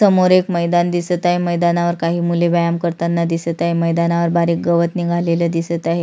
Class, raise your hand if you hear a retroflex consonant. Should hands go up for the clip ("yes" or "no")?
no